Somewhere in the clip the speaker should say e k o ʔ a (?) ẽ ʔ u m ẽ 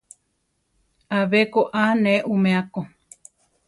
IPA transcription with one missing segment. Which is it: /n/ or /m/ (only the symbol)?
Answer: n